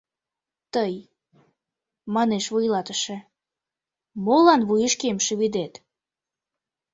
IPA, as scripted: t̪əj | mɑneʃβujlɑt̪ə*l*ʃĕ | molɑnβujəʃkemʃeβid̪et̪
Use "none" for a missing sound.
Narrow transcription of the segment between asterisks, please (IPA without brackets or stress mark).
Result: none